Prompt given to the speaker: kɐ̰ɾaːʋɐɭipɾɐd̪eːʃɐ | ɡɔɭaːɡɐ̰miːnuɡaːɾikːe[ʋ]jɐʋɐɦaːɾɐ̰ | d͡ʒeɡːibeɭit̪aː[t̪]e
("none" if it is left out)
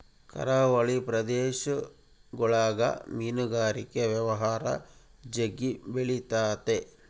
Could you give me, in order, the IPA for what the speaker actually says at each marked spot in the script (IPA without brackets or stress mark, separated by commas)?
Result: ʋ, t̪